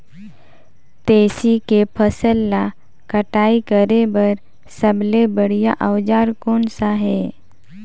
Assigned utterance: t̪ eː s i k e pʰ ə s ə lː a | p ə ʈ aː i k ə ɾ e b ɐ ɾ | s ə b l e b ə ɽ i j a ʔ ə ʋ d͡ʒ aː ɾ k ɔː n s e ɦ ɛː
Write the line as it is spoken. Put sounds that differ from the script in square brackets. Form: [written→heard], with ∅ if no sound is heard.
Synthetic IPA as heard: t̪ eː s i k e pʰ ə s ə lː a | [p→k] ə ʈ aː i k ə ɾ e b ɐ ɾ | s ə b l e b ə ɽ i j a ʔ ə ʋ d͡ʒ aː ɾ k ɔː n s [e→a] ɦ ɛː